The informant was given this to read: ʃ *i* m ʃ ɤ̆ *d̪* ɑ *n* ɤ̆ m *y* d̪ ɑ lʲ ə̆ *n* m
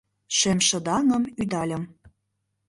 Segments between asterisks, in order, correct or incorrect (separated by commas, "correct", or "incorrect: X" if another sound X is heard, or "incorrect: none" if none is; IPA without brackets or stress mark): incorrect: e, correct, correct, correct, incorrect: none